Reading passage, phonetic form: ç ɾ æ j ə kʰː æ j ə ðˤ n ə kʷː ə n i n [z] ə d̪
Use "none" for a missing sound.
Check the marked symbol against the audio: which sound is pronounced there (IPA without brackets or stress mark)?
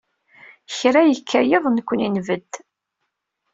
v